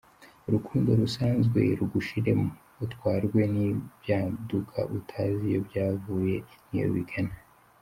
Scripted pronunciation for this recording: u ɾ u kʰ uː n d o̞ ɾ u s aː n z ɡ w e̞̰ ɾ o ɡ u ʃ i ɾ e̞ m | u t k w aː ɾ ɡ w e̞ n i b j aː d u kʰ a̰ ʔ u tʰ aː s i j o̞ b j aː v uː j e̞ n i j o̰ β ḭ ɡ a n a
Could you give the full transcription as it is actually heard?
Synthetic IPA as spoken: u ɾ u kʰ uː n d o̞ ɾ u s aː n z ɡ w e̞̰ ɾ u ɡ u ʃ i ɾ e̞ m | u t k w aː ɾ ɡ w e̞ n i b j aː d u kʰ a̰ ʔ u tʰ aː z i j o̞ b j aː v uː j e̞ n i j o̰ β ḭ ɡ a n a